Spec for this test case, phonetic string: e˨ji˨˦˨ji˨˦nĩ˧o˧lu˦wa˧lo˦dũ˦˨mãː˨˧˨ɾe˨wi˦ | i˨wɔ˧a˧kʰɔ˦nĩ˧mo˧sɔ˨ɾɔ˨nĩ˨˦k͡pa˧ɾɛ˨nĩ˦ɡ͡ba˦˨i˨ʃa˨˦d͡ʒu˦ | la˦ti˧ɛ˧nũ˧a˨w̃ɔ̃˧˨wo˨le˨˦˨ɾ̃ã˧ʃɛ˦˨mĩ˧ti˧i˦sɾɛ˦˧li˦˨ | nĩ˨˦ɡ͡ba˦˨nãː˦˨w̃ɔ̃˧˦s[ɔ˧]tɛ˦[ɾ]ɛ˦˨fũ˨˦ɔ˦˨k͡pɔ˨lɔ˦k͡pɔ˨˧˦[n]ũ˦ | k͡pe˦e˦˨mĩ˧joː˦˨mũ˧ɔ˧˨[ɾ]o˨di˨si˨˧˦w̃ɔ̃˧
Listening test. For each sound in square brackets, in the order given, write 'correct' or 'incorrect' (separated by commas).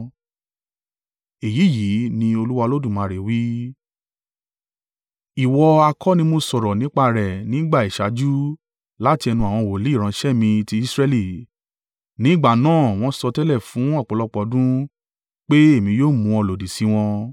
correct, incorrect, incorrect, incorrect